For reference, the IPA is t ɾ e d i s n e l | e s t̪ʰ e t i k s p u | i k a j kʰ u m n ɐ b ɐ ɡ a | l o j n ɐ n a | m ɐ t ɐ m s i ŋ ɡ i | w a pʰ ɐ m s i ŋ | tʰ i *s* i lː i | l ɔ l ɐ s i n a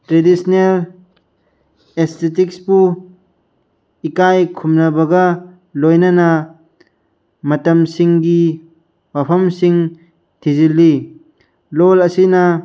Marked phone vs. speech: incorrect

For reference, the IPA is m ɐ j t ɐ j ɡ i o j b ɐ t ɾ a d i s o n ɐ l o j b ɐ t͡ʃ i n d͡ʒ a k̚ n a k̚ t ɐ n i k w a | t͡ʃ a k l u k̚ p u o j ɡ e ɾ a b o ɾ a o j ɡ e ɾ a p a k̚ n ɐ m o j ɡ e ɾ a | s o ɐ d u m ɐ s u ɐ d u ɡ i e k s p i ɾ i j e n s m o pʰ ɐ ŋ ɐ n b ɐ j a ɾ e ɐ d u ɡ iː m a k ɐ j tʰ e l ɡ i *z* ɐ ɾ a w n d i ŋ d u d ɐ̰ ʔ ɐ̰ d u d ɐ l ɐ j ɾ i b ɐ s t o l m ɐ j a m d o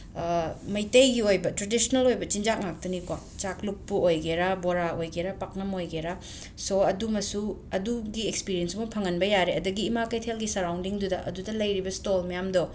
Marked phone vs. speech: incorrect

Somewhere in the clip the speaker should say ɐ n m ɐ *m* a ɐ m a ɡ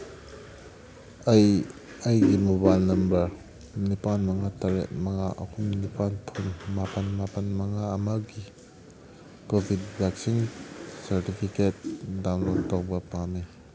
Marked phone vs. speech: incorrect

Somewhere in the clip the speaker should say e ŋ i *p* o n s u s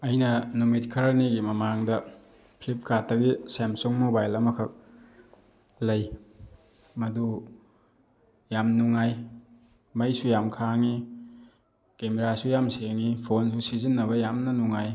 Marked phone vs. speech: incorrect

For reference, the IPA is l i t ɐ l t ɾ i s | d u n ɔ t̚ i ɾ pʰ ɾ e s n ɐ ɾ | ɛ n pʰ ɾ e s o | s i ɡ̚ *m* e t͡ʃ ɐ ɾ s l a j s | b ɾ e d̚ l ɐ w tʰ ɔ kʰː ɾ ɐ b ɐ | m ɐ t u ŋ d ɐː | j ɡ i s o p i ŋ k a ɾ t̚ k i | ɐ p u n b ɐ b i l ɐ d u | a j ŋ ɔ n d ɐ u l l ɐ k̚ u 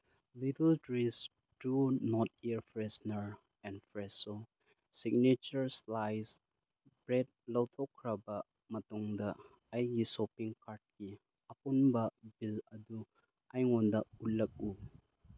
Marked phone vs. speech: incorrect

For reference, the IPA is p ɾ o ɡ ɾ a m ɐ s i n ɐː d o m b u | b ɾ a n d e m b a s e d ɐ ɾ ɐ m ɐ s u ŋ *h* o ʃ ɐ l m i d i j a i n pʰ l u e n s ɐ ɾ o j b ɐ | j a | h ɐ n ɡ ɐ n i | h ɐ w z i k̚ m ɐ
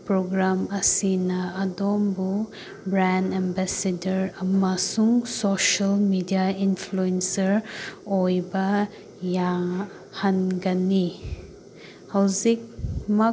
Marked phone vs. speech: incorrect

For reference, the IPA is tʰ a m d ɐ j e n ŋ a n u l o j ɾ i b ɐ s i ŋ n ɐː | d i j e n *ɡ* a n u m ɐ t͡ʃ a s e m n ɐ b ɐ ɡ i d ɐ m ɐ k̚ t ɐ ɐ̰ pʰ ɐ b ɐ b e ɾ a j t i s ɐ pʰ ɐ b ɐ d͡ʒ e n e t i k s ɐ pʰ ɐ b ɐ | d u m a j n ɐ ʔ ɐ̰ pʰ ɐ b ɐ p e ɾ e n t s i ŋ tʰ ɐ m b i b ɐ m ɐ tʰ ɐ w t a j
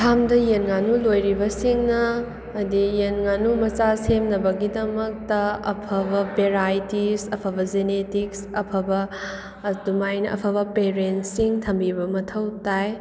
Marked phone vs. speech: incorrect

